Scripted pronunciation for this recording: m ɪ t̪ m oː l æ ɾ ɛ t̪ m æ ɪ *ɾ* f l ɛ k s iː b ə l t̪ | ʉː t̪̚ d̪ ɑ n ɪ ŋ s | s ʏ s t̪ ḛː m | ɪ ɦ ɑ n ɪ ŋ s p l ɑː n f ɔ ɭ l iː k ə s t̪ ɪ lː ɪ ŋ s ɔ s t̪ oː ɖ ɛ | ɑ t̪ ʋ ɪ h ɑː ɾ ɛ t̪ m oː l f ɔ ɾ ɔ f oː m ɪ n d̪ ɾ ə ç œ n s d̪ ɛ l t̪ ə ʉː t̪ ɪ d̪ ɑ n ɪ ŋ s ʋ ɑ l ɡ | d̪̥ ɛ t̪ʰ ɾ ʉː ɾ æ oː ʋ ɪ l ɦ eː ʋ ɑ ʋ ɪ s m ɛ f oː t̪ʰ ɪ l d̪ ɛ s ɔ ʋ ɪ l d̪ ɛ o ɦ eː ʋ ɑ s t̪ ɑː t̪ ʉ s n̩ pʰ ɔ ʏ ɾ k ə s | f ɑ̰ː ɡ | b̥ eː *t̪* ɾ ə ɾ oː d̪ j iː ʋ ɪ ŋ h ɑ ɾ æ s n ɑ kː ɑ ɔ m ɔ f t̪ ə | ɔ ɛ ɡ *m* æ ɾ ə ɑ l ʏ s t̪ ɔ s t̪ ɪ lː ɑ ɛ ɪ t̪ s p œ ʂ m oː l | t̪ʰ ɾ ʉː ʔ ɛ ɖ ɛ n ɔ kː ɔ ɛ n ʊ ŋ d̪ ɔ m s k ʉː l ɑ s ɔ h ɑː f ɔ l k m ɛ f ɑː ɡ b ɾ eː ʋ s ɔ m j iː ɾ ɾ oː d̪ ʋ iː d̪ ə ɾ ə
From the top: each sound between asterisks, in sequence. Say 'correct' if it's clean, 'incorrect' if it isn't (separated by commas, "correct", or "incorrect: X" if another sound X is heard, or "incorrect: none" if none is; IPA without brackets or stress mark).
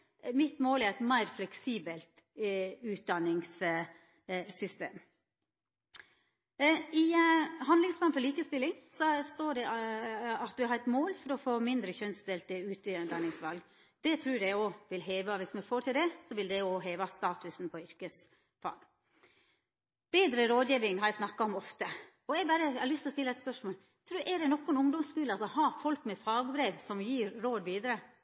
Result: correct, incorrect: d̪, incorrect: b